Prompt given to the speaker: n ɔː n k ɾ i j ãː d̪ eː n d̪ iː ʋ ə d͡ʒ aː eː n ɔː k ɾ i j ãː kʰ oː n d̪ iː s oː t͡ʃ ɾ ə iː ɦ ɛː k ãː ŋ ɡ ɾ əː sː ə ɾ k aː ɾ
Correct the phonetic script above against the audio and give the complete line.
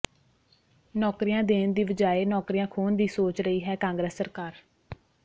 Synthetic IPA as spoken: n ɔː k ɾ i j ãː d̪ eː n d̪ iː ʋ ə d͡ʒ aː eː n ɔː k ɾ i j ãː kʰ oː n d̪ iː s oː t͡ʃ ɾ ə iː ɦ ɛː k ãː ŋ ɡ ɾ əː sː ə ɾ k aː ɾ